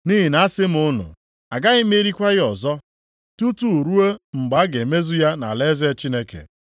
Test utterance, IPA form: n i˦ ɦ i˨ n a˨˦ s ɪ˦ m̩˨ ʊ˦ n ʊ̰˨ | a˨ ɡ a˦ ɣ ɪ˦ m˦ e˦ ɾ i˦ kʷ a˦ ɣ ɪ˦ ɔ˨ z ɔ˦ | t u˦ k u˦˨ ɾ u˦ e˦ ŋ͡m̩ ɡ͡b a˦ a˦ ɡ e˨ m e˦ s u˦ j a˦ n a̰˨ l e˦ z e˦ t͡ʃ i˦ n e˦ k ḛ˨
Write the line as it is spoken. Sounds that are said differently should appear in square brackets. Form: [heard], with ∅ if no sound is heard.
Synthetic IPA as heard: n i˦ ɦ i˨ n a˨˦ s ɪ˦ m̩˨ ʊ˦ n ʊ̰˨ | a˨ ɡ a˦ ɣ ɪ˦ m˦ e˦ ɾ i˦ kʷ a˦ ɣ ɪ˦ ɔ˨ z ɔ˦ | t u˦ [t] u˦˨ ɾ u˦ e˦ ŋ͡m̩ ɡ͡b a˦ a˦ ɡ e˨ m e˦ [z] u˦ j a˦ n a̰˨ l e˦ z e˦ t͡ʃ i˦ n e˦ k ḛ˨

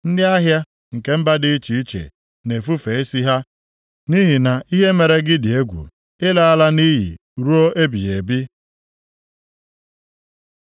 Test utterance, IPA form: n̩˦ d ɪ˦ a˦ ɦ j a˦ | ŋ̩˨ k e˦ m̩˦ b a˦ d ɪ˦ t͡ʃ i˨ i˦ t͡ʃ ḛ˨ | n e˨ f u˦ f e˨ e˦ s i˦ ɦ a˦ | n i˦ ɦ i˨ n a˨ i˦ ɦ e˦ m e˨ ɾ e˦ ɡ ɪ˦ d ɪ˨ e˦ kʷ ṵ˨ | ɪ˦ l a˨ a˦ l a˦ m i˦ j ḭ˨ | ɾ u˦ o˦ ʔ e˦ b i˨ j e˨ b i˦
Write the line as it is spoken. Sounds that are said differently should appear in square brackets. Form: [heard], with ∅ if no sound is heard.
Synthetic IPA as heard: n̩˦ d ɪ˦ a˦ ɦ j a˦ | ŋ̩˨ k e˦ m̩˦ b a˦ d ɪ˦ t͡ʃ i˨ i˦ t͡ʃ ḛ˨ | n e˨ f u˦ f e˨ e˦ s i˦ ɦ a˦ | n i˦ ɦ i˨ n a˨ i˦ ɦ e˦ m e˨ ɾ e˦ ɡ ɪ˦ d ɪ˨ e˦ [ɡʷ] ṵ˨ | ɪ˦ l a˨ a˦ l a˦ [n] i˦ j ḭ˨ | ɾ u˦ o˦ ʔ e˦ b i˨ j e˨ b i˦

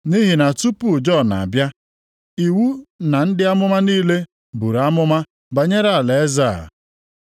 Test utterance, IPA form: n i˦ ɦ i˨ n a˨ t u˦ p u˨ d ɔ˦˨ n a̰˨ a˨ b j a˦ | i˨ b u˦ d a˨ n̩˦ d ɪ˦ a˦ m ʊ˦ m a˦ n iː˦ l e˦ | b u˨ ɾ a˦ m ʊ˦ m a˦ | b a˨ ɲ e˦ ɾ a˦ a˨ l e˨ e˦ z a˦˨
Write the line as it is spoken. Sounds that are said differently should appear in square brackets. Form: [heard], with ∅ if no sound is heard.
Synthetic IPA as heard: n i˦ ɦ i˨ n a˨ t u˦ p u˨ [d͡ʒ] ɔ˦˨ n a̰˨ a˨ b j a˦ | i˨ [w] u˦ [n] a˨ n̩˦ d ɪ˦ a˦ m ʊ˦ m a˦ n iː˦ l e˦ | b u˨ ɾ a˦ m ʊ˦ m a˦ | b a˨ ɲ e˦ ɾ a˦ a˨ l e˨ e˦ z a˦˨

